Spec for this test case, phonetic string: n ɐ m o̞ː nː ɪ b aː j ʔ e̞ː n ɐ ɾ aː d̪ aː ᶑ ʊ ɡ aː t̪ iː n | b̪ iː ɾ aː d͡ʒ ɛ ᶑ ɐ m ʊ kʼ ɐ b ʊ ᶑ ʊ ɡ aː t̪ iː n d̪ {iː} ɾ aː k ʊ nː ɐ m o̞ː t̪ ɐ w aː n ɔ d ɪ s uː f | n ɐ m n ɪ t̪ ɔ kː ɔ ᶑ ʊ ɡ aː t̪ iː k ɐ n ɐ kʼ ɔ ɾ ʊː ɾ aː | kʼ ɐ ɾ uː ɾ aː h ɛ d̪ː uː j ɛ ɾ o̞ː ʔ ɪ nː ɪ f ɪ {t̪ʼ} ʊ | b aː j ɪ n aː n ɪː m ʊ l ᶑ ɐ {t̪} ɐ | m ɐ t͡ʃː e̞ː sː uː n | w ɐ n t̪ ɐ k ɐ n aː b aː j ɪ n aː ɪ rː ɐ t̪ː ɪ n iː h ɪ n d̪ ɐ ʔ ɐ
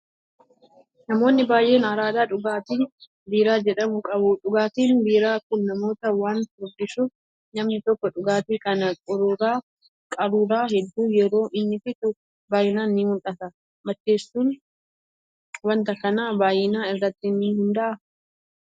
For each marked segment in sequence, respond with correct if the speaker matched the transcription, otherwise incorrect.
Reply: correct, incorrect, correct

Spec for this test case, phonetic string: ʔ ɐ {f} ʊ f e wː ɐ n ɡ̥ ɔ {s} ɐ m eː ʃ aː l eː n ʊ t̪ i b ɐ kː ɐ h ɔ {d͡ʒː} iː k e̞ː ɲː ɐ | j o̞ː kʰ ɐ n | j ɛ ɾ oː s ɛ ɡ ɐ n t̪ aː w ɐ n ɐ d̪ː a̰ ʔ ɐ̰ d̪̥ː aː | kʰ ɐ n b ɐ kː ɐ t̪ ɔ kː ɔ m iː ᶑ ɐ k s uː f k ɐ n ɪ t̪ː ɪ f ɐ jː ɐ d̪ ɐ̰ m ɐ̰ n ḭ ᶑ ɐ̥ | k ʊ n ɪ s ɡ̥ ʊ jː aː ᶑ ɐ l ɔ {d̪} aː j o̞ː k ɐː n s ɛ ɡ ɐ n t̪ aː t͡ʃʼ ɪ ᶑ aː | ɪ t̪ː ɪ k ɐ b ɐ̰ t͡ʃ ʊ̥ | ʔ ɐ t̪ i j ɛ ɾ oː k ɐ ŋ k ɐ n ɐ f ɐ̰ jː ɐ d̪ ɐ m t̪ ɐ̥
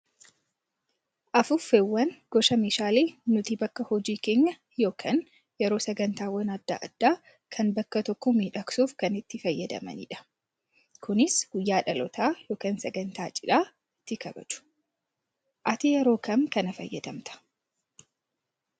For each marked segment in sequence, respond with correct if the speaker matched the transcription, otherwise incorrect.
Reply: correct, incorrect, incorrect, incorrect

